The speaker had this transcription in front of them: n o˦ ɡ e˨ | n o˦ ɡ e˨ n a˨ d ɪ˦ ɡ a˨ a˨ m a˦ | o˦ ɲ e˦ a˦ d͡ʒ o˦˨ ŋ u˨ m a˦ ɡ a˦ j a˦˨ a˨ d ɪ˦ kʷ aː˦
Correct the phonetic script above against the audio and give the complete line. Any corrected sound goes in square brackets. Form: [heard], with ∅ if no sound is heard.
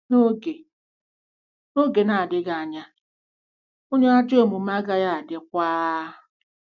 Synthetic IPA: n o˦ ɡ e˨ | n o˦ ɡ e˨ n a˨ d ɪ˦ ɡ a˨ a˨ [ɲ] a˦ | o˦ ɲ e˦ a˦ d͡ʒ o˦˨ [m] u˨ m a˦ ɡ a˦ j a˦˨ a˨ d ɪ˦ kʷ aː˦